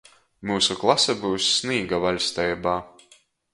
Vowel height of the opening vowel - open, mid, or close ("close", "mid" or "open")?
close